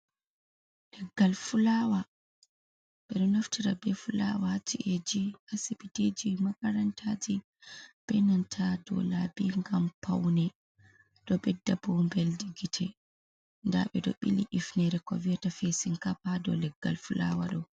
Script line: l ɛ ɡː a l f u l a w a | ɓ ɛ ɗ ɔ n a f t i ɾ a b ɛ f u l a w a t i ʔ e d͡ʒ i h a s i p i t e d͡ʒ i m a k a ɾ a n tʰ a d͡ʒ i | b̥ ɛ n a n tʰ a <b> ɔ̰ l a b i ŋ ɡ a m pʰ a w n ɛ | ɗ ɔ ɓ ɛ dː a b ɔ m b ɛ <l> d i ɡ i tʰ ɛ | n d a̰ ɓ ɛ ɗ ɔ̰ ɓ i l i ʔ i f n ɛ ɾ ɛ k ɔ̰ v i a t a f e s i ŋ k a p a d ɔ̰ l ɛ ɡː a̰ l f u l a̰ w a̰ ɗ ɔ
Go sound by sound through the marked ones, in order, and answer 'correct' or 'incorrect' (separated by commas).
incorrect, correct